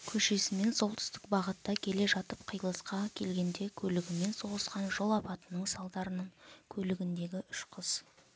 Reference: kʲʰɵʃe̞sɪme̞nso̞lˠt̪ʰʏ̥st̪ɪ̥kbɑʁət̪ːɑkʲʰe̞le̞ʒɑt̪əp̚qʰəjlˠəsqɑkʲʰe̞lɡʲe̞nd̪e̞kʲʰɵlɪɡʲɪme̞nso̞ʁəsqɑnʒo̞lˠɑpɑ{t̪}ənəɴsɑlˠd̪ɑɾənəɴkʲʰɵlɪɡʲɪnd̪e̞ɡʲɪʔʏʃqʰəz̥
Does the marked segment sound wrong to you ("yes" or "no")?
no